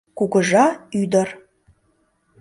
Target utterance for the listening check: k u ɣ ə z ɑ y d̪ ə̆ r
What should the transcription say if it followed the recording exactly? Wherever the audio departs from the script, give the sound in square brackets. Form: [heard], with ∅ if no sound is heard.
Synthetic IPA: k u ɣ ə [ʒ] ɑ y d̪ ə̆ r